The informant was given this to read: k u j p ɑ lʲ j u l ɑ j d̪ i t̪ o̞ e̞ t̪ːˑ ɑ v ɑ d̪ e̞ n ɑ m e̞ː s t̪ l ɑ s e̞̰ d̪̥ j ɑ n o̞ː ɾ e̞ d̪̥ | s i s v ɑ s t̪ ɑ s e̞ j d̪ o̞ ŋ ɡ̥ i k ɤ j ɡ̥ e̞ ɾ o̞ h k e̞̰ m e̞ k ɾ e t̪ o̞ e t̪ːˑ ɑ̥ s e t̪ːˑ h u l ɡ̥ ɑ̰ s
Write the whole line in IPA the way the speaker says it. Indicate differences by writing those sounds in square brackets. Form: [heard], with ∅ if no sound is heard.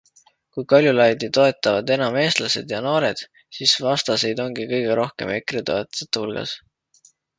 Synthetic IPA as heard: k u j [k] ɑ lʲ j u l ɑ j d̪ i t̪ o̞ e̞ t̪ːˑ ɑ v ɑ d̪ e̞ n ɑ m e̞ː s t̪ l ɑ s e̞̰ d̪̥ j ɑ n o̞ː ɾ e̞ d̪̥ | s i s v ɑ s t̪ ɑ s e̞ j d̪ o̞ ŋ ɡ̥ i k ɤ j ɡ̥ e̞ ɾ o̞ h k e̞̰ m e̞ k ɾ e t̪ o̞ e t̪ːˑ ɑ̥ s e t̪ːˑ h u l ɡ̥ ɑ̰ s

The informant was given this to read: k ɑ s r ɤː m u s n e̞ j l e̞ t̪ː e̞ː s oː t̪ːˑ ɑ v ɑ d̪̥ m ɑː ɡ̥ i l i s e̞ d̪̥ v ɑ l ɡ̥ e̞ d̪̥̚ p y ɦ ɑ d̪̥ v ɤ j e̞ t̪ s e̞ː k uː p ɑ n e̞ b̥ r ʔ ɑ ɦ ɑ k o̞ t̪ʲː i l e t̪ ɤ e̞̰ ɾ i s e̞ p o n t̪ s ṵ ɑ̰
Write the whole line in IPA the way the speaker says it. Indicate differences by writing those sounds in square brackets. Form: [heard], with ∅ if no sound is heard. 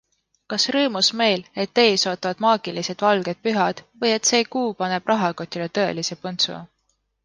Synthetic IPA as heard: k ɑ s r ɤː m u s [m] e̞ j l e̞ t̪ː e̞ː s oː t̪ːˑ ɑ v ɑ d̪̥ m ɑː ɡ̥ i l i s e̞ d̪̥ v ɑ l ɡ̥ e̞ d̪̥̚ p y ɦ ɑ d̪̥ v ɤ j e̞ t̪ s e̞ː k uː p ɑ n e̞ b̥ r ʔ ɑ ɦ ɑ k o̞ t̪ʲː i l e t̪ ɤ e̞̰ [l] i s e̞ p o n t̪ s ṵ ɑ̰

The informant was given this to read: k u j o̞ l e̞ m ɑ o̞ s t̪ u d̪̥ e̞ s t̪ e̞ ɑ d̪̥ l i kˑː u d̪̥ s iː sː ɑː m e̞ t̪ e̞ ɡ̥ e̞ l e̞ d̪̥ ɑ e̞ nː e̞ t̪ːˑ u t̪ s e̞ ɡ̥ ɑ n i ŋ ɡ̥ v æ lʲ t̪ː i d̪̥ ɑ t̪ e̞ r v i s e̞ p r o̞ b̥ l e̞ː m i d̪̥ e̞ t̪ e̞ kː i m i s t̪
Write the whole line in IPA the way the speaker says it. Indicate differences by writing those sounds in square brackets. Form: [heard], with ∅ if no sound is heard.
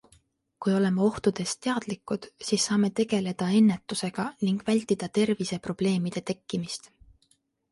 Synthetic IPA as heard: k u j o̞ l e̞ m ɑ o̞ [h] t̪ u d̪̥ e̞ s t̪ e̞ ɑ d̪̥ l i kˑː u d̪̥ s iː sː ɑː m e̞ t̪ e̞ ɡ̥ e̞ l e̞ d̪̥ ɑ e̞ nː e̞ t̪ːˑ u [∅] s e̞ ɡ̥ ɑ n i ŋ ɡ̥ v æ lʲ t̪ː i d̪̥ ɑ t̪ e̞ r v i s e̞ p r o̞ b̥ l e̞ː m i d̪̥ e̞ t̪ e̞ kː i m i s t̪

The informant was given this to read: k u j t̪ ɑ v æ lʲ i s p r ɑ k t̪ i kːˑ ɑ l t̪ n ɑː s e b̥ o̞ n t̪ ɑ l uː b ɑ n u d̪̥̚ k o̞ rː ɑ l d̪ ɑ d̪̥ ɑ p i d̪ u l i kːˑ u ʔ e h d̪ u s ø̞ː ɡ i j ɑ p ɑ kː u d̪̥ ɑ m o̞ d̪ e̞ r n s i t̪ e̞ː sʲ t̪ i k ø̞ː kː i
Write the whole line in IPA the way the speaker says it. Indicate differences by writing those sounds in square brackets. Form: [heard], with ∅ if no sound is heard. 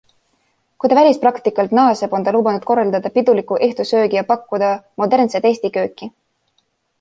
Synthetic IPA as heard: k u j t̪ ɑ v æ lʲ i s p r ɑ k t̪ i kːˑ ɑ l t̪ n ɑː s e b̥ o̞ n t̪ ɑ l uː b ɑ n u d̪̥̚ k o̞ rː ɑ l d̪ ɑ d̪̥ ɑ p i d̪ u l i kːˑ u ʔ e h [t̪] u s ø̞ː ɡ i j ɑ p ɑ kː u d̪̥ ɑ m o̞ d̪ e̞ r n s [e] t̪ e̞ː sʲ t̪ i k ø̞ː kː i

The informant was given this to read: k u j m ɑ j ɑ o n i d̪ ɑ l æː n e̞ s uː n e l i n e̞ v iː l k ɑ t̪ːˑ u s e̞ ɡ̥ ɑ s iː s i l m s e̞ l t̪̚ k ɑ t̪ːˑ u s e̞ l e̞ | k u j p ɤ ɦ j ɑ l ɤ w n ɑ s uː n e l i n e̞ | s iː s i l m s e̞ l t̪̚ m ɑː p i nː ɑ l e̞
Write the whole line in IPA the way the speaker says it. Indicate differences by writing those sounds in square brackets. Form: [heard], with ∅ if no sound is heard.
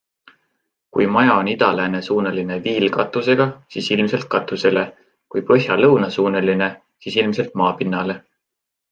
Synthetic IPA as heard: k u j m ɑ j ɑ o n i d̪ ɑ l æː n e̞ s uː n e l i n e̞ v iː l k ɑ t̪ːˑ u s e̞ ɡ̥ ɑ s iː s i l m s e̞ l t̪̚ k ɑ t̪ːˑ u s e̞ l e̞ | k u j p ɤ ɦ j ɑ l ɤ w n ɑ s uː n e l i n e̞ | s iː s i l m s e̞ l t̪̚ m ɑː p i nː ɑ l e̞

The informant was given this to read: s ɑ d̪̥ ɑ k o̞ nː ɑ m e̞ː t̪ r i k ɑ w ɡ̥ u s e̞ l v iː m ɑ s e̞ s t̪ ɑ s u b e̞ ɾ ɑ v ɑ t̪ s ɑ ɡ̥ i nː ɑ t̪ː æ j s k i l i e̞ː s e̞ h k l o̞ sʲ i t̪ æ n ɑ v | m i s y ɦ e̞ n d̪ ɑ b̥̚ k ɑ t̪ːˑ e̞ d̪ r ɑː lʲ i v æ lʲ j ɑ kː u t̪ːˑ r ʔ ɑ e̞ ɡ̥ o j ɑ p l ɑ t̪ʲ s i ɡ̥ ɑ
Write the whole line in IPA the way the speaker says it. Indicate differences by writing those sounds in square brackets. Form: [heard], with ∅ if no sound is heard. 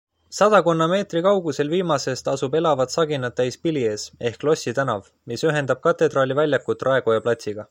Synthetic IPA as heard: s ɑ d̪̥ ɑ k o̞ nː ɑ m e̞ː t̪ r i k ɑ w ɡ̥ u s e̞ l v iː m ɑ s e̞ s t̪ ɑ s u b e̞ [l] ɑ v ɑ t̪ s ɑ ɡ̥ i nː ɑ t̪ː æ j s [p] i l i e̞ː s e̞ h k l o̞ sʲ i t̪ æ n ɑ v | m i s y ɦ e̞ n d̪ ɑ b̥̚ k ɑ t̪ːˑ e̞ d̪ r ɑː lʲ i v æ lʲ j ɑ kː u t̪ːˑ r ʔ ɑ e̞ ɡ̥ o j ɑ p l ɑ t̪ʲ s i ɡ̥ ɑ

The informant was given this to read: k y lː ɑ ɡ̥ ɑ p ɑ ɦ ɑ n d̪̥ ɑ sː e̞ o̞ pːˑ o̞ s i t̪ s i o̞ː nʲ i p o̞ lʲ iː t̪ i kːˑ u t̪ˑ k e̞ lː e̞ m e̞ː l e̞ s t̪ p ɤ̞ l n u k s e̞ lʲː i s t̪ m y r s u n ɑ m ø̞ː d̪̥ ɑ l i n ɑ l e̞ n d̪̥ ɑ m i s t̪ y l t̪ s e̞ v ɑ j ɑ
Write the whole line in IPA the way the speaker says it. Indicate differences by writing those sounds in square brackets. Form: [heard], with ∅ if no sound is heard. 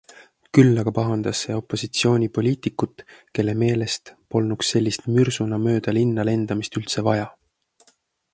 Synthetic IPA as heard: k y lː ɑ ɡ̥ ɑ p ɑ ɦ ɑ n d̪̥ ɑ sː e̞ o̞ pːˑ o̞ s i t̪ s i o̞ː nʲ i p o̞ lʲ iː t̪ i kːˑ u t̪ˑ k e̞ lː e̞ m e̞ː l e̞ s t̪ p [o̞] l n u k s e̞ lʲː i s t̪ m y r s u n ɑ m ø̞ː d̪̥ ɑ l i [nː] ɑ l e̞ n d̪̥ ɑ m i s t̪ y l t̪ s e̞ v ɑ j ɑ

